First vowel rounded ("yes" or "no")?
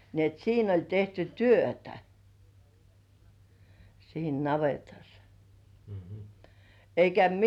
no